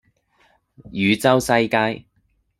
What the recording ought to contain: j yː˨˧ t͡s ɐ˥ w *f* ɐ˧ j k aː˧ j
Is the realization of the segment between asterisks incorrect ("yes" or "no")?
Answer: yes